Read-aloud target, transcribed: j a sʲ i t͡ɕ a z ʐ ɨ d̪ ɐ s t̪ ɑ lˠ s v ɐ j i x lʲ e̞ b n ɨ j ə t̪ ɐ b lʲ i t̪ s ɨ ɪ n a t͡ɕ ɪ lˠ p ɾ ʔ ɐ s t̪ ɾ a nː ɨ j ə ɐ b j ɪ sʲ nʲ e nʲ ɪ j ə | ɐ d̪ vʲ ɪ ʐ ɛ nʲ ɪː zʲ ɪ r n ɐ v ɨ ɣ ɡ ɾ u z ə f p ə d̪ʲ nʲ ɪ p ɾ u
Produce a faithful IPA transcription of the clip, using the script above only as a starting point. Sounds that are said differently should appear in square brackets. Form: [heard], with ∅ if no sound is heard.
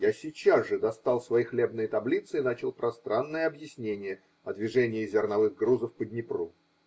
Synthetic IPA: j a sʲ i t͡ɕ a z ʐ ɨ d̪ ɐ s t̪ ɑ lˠ s v ɐ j i x lʲ e̞ b n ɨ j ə t̪ ɐ b lʲ i t̪ s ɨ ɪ n a t͡ɕ ɪ lˠ p ɾ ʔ ɐ s t̪ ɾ a nː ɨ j ə ɐ b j ɪ sʲ nʲ e nʲ ɪ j ə | ɐ d̪ vʲ ɪ ʐ ɛ nʲ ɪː zʲ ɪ r n ɐ v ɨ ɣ ɡ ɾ u z ə f p ə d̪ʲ nʲ ɪ p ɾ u

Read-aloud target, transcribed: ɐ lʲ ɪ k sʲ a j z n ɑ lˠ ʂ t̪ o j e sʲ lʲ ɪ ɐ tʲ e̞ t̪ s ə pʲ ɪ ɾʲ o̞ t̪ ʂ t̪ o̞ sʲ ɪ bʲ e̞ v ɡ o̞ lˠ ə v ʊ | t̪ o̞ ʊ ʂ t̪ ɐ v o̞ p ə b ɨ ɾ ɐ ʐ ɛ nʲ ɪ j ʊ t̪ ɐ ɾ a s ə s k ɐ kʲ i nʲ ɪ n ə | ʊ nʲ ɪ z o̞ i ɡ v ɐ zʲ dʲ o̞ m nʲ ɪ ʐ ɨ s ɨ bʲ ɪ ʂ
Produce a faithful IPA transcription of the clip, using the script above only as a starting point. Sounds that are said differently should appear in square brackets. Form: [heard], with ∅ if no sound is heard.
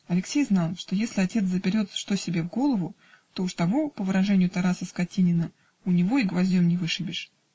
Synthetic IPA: ɐ lʲ ɪ k sʲ [e] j z n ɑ lˠ ʂ t̪ o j e sʲ lʲ ɪ ɐ tʲ e̞ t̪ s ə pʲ ɪ ɾʲ o̞ t̪ ʂ t̪ o̞ sʲ ɪ bʲ e̞ v ɡ o̞ lˠ ə v ʊ | t̪ o̞ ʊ ʂ t̪ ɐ v o̞ p ə [v] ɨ ɾ ɐ ʐ ɛ nʲ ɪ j ʊ t̪ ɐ ɾ a s ə s k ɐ [tʲ] i nʲ ɪ n ə | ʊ nʲ ɪ [v] o̞ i ɡ v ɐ zʲ dʲ o̞ m nʲ ɪ [v] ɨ [ʂ] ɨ bʲ ɪ ʂ

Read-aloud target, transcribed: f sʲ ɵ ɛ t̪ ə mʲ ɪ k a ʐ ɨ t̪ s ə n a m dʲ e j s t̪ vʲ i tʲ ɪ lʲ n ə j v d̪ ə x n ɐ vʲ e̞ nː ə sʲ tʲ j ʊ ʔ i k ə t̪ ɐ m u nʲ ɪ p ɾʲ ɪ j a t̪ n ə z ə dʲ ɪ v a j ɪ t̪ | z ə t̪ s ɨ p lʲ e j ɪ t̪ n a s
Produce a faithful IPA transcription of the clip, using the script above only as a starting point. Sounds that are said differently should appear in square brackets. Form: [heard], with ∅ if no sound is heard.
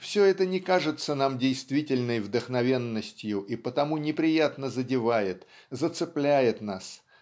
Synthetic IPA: f sʲ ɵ ɛ t̪ ə [nʲ] ɪ k a ʐ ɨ t̪ s ə n a m dʲ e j s t̪ vʲ i tʲ ɪ lʲ n ə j v d̪ ə x n ɐ vʲ e̞ nː ə sʲ tʲ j ʊ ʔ i [p] ə t̪ ɐ m u nʲ ɪ p ɾʲ ɪ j a t̪ n ə z ə dʲ ɪ v a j ɪ t̪ | z ə t̪ s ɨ p lʲ [æ] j ɪ t̪ n a s

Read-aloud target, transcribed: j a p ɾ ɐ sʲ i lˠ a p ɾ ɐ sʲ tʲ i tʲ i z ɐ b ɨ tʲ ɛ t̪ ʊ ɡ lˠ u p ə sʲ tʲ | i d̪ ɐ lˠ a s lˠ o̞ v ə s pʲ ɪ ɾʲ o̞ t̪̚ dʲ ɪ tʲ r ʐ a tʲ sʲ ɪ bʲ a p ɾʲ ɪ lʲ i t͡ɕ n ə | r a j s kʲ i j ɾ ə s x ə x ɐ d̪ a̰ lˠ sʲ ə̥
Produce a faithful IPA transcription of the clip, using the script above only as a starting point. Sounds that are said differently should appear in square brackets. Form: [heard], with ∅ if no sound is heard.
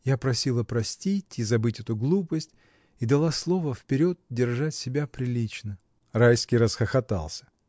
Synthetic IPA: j a p ɾ ɐ sʲ i lˠ [ə] p ɾ ɐ sʲ tʲ i tʲ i z ɐ b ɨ tʲ ɛ t̪ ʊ ɡ lˠ u p ə sʲ tʲ | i d̪ ɐ lˠ a s lˠ o̞ v ə [f] pʲ ɪ ɾʲ o̞ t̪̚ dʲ ɪ [∅] r ʐ a tʲ sʲ ɪ bʲ a p ɾʲ ɪ lʲ i t͡ɕ n ə | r a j s kʲ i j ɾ ə s x ə x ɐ [t̪] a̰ lˠ sʲ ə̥

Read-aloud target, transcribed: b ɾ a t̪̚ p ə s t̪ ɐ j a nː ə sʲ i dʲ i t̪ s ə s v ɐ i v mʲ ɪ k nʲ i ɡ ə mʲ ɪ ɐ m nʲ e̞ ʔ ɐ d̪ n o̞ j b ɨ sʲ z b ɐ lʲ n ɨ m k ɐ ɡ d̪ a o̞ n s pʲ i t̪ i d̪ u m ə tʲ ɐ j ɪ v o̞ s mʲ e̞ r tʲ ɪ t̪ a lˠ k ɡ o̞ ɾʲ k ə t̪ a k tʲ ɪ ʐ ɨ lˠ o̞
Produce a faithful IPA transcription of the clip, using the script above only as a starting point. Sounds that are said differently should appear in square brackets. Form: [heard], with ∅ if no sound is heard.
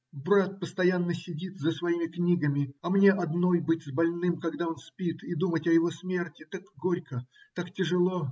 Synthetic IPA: b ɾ a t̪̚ p ə s t̪ ɐ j a nː ə sʲ [ɪ] dʲ i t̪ [z] ə s v ɐ i [∅] mʲ ɪ k nʲ i ɡ ə mʲ ɪ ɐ m nʲ e̞ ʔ ɐ d̪ n o̞ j b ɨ [tʲ] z b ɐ lʲ n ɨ m k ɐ ɡ d̪ a o̞ n s pʲ i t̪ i d̪ u m ə tʲ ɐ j ɪ v o̞ s mʲ e̞ r tʲ ɪ t̪ a [∅] k ɡ o̞ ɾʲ k ə t̪ a k tʲ ɪ ʐ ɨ lˠ o̞

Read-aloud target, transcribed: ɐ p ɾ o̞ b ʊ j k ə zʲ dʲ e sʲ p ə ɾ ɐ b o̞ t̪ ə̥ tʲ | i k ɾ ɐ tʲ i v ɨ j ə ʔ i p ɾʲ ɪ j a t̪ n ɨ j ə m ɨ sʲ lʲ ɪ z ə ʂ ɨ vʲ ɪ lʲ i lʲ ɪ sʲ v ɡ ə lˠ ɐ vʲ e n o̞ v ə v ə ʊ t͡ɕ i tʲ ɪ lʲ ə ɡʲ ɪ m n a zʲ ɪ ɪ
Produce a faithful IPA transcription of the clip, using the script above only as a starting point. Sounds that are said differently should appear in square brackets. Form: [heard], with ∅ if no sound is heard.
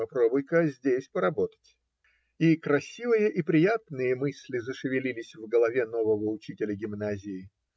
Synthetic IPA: ɐ p ɾ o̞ b ʊ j k ə zʲ dʲ e sʲ p ə ɾ ɐ b o̞ t̪ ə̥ tʲ | i k ɾ ɐ [sʲ] i v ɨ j ə ʔ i p ɾʲ ɪ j a t̪ n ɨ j ə m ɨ sʲ lʲ ɪ z ə ʂ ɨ vʲ ɪ lʲ i lʲ ɪ sʲ v ɡ ə lˠ ɐ vʲ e n o̞ v ə v ə ʊ t͡ɕ i tʲ ɪ lʲ ə ɡʲ ɪ m n a zʲ ɪ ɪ

